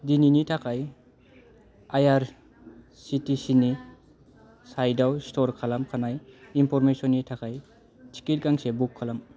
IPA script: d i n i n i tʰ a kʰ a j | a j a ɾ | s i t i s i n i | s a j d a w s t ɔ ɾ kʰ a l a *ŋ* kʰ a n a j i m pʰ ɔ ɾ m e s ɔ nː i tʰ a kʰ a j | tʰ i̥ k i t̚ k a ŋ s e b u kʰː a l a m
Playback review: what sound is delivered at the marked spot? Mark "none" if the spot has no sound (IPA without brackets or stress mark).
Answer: m